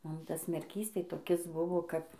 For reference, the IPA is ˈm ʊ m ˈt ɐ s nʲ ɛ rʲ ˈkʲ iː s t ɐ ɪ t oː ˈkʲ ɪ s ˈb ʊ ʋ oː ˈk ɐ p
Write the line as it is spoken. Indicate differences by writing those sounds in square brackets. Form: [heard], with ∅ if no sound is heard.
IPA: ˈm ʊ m ˈt ɐ s [mʲ] ɛ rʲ ˈkʲ iː s t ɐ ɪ t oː ˈkʲ ɪ s ˈb ʊ ʋ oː ˈk ɐ p